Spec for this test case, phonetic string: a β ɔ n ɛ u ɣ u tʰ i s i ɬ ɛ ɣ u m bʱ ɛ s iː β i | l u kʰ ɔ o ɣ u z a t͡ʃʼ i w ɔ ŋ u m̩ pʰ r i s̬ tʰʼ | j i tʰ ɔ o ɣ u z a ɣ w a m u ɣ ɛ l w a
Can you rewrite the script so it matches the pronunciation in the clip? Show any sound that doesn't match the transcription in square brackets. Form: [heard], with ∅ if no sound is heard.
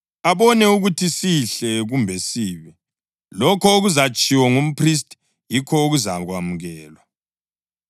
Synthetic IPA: a β ɔ n ɛ u ɣ u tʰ i s i ɬ ɛ ɣ u m bʱ ɛ s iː β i | l [ɔ] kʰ ɔ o ɣ u z a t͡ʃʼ i w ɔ ŋ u m̩ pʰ r i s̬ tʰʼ | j i [kʰ] ɔ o ɣ u z a ɣ w a m u ɣ [ɛː] l w a